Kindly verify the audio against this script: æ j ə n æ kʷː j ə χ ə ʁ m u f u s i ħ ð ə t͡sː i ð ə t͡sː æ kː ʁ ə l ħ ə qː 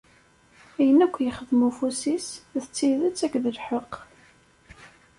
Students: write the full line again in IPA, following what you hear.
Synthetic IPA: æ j ə n æ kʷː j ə χ ə ð m u f u s i s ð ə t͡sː i ð ə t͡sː æ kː ð ə l ħ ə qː